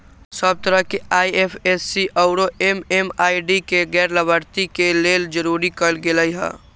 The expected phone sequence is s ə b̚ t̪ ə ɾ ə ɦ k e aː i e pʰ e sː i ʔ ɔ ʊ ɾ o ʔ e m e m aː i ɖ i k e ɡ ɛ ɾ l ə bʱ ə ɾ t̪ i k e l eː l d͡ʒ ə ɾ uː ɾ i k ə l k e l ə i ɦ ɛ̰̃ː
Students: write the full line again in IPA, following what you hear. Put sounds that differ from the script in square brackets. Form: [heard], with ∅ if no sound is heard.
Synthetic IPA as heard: s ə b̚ t̪ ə ɾ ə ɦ k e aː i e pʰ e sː i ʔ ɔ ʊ ɾ o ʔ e m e m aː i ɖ i k e ɡ [ɛː] ɾ l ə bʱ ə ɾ t̪ i k e l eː l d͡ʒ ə ɾ uː ɾ i k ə l [ɡ] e l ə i ɦ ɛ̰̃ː